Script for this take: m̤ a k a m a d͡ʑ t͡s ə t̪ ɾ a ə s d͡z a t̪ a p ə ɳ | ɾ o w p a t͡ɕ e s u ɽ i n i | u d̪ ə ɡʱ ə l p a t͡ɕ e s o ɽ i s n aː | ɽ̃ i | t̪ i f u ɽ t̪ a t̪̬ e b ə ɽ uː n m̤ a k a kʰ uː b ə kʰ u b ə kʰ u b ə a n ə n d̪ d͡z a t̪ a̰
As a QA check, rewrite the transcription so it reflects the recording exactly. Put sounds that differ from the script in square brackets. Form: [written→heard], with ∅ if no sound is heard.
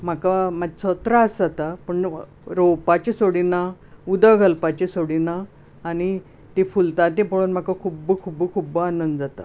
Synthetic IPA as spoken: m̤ a k a m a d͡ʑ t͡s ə t̪ ɾ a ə s d͡z a t̪ a p ə ɳ | ɾ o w p a t͡ɕ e s [u→o] ɽ i n [i→a] | u d̪ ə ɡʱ ə l p a t͡ɕ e s o ɽ i [s→∅] n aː | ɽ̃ i | t̪ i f u [ɽ→l] t̪ a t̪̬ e [b→p] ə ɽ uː n m̤ a k a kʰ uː b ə kʰ u b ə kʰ u b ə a n ə n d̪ d͡z a t̪ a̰